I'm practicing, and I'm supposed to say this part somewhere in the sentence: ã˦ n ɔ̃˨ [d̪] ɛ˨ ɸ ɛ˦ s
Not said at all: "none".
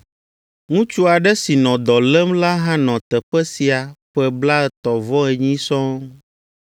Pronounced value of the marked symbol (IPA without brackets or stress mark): t̪